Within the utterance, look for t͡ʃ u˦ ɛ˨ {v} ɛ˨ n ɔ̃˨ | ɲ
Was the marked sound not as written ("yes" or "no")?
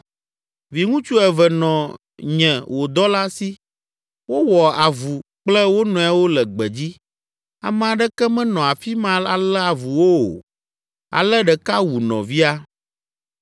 no